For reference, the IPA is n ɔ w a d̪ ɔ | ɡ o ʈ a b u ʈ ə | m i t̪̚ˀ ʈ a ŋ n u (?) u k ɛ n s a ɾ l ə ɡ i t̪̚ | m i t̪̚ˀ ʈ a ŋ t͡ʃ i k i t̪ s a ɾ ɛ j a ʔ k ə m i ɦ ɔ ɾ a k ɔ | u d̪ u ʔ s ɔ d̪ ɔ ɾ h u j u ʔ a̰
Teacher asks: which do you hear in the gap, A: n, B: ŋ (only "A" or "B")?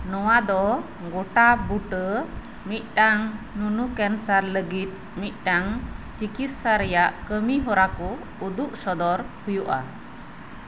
A